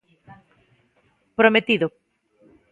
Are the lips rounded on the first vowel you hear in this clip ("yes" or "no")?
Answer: yes